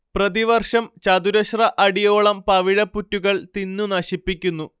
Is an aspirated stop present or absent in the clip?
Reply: absent